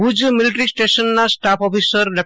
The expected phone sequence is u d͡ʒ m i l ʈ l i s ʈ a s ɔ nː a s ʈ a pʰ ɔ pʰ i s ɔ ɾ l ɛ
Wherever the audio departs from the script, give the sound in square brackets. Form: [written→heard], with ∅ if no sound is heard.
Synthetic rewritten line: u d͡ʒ m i l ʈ [l→ɾ] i s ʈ [a→e] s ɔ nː a s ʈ a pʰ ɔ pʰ i s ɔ ɾ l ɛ